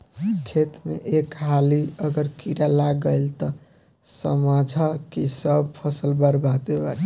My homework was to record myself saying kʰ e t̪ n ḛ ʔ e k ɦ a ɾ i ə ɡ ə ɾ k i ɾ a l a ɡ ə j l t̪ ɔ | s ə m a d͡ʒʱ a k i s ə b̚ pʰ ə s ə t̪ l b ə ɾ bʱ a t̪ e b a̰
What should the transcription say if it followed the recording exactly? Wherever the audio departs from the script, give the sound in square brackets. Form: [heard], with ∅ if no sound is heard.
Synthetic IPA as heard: kʰ e t̪ [m] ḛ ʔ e k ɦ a [l] i ə ɡ ə ɾ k i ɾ a l a ɡ ə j l t̪ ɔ | s ə m a d͡ʒʱ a k i s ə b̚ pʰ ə s ə [∅] l b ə ɾ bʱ a t̪ e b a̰